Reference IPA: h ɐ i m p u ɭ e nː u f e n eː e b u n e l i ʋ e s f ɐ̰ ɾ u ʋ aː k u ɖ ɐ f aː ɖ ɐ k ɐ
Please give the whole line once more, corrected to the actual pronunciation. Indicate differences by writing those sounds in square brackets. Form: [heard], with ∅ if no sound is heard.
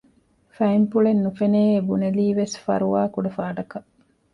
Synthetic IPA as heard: [f] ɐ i m p u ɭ e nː u f e n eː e b u n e l [iː] ʋ e s f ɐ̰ ɾ u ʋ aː k u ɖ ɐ f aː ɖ ɐ k ɐ